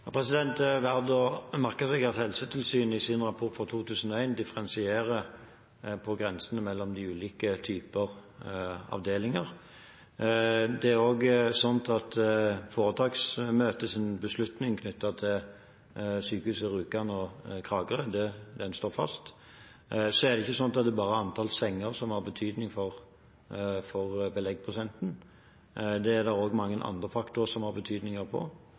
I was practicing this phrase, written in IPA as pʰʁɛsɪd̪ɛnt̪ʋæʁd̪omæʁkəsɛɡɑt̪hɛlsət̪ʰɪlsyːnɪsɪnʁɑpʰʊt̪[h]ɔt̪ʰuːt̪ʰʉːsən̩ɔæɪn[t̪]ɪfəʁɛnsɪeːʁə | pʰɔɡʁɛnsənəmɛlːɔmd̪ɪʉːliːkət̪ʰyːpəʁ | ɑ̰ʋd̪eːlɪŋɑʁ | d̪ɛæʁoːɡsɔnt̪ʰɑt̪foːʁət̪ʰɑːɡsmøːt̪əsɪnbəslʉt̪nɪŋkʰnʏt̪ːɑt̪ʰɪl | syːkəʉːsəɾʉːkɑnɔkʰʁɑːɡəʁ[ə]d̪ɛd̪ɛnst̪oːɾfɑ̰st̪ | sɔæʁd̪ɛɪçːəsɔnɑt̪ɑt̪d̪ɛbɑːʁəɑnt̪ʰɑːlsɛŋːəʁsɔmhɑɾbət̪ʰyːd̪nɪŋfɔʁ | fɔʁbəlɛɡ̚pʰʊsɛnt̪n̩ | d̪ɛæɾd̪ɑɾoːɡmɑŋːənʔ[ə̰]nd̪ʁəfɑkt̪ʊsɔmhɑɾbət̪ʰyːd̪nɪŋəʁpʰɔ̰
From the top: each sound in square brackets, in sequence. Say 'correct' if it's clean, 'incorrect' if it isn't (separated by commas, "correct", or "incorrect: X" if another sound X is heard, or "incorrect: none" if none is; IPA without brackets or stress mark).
incorrect: f, incorrect: d̪, correct, incorrect: ɑ̰